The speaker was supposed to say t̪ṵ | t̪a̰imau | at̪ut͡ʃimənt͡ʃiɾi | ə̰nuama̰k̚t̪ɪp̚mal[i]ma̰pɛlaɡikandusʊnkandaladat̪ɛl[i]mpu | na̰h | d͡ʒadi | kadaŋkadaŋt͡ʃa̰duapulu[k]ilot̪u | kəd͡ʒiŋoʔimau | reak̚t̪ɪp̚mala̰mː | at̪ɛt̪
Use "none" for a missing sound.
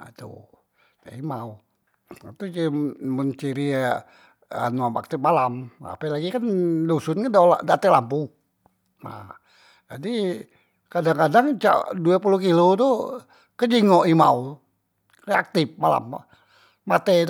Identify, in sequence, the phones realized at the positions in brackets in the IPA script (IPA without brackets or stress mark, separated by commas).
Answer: a, a, k